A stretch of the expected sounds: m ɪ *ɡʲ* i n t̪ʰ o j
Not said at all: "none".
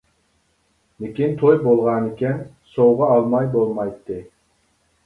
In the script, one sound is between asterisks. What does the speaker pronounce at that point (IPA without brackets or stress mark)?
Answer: kʲ